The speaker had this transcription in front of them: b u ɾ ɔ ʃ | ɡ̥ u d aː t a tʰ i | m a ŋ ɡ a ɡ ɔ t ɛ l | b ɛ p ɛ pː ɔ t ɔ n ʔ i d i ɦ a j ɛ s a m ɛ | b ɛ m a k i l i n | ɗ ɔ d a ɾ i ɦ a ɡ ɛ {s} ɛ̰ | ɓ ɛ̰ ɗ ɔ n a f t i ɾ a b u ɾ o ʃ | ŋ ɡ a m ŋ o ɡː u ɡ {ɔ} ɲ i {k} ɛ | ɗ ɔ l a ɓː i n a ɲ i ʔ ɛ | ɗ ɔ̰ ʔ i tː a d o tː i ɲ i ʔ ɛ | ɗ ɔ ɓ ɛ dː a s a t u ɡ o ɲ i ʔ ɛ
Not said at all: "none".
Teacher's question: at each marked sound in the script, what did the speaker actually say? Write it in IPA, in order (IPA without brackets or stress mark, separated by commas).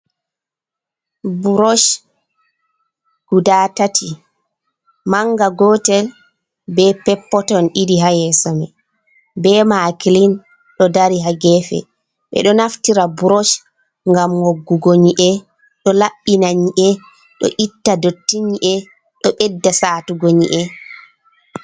f, o, ʔ